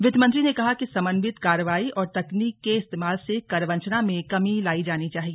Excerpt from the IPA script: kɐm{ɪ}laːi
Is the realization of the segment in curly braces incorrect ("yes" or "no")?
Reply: yes